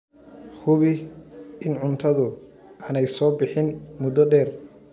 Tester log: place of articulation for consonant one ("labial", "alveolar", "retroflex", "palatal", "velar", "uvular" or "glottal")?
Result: glottal